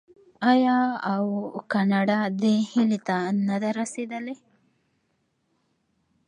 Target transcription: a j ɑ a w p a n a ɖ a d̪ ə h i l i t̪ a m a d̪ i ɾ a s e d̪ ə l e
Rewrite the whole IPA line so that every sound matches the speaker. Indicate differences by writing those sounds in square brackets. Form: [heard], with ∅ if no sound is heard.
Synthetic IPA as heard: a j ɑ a w [k] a n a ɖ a d̪ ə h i l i t̪ a [n] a d̪ [a] ɾ a s e d̪ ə l e